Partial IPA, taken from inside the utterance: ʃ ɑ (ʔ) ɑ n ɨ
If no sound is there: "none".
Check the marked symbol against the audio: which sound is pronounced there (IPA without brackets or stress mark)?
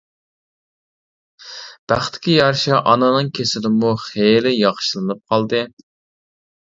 ʔ